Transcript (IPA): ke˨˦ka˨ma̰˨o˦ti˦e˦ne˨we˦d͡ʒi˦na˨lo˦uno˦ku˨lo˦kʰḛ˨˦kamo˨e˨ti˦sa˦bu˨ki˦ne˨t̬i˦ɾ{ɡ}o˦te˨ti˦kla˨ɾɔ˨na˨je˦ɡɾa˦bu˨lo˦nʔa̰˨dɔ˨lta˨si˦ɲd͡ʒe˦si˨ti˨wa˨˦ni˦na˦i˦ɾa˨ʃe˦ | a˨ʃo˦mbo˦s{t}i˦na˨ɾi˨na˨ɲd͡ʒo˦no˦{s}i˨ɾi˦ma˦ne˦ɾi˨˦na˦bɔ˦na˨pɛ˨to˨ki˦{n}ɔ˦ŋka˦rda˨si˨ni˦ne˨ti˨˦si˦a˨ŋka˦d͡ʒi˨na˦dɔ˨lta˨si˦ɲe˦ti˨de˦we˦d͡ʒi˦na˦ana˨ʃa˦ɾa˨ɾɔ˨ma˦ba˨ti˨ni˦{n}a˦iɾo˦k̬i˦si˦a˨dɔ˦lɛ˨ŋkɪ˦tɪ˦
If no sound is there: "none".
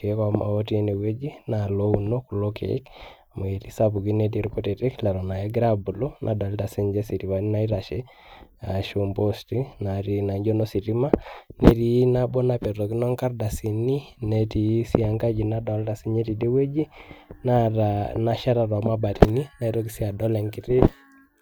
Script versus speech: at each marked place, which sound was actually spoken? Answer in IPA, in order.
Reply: k, t, s, n, n

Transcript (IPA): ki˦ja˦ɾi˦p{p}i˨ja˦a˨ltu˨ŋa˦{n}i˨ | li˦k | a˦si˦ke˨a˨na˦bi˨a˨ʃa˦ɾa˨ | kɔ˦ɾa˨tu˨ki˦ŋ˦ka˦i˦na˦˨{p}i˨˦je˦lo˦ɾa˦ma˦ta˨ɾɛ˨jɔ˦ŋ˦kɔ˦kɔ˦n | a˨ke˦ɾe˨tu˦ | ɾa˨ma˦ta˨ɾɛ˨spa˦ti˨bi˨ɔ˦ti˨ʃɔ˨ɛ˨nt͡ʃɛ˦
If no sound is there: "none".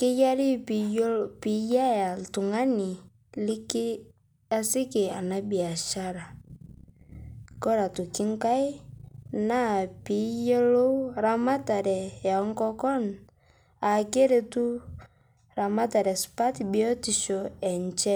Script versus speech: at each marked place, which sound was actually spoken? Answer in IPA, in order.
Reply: p, n, p

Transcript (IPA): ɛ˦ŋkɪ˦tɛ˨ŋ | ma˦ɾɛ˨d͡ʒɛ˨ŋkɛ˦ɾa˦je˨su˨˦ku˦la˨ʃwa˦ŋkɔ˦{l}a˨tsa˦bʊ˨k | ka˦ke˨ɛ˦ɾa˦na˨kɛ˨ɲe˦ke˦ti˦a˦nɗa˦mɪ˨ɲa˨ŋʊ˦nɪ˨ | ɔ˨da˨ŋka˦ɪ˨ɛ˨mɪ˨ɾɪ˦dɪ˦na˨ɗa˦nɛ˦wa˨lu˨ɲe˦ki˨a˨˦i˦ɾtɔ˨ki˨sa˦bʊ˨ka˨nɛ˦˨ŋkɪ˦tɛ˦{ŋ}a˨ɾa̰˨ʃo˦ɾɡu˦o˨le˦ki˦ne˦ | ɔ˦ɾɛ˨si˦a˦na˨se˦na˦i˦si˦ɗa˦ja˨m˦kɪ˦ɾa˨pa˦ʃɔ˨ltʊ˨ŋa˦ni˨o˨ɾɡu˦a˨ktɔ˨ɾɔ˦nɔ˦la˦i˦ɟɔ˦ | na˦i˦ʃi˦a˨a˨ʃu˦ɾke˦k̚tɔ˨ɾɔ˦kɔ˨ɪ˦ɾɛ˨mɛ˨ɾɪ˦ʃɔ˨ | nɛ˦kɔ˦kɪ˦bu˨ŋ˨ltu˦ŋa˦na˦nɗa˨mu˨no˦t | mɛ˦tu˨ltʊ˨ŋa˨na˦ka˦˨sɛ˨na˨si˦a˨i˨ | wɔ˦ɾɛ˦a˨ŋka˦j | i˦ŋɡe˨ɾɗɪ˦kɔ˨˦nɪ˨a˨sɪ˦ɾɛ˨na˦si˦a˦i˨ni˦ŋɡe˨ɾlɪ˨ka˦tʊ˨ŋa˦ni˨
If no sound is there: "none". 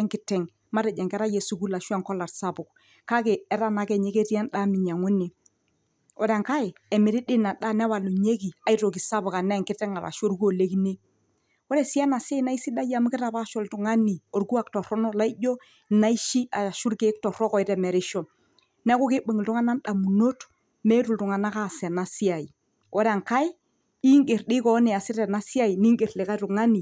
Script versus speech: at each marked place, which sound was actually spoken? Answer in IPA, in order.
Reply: l, ŋ

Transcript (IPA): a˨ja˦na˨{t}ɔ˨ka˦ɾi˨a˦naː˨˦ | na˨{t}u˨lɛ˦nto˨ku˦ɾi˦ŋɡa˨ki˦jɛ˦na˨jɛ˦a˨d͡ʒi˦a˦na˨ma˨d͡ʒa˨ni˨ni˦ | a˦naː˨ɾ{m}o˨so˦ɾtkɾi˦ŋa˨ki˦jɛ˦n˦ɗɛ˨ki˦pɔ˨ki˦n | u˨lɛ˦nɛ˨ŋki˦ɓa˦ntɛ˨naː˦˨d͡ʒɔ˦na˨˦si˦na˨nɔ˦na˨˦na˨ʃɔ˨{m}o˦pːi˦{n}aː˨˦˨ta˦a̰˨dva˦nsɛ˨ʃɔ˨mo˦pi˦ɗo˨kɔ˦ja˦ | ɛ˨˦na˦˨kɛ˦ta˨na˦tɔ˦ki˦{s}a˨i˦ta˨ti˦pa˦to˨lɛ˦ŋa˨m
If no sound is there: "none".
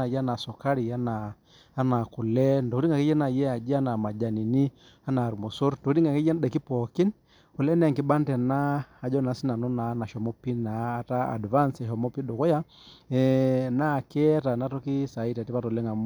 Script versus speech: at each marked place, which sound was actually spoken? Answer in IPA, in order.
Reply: s, k, m, m, n, s

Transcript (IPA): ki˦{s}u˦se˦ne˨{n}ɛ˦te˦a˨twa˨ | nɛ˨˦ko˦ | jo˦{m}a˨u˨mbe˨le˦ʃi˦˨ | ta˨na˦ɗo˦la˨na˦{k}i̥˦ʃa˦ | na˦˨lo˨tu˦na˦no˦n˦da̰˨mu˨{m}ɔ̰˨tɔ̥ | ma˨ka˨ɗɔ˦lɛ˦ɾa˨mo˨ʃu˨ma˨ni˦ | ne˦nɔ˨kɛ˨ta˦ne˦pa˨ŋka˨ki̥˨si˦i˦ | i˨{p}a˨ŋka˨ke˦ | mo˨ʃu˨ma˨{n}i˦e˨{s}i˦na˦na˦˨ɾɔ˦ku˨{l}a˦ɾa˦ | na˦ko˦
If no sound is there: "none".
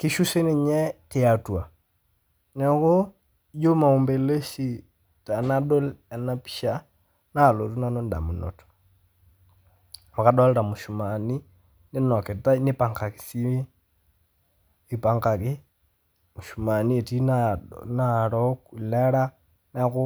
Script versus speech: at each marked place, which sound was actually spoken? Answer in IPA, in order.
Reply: ʃ, ɲ, m, p, n, p, n, t, l

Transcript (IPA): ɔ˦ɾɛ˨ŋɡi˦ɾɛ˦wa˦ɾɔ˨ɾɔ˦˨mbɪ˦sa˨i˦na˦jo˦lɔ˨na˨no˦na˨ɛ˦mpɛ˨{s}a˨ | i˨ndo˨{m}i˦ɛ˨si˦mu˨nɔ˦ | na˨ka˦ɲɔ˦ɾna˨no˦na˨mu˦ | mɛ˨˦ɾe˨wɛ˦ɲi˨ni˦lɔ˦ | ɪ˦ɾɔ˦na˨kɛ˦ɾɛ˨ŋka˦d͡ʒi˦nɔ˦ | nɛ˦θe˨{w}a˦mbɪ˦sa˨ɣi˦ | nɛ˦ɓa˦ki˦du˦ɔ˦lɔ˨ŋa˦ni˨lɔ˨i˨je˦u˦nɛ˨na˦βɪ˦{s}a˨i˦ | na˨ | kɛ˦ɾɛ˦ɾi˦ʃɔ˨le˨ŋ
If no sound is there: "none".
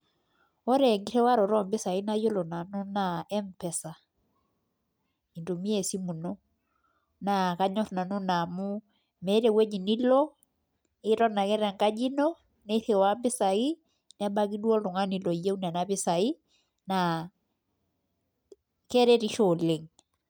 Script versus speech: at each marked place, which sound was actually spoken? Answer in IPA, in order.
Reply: s, m, w, s

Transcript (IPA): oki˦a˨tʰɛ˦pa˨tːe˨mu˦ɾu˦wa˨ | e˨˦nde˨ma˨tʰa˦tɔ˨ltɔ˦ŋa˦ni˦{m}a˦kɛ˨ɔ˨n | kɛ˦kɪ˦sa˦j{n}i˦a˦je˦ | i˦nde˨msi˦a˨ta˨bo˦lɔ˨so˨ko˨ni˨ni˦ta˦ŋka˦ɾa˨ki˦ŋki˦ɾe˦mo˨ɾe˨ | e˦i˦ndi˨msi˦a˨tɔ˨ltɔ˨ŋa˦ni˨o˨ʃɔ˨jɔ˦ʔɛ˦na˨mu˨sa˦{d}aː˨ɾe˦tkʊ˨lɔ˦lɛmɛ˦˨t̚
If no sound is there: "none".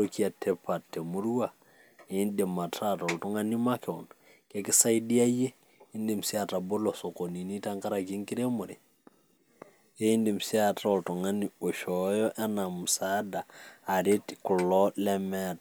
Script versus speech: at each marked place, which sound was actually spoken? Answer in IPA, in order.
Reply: m, d, d

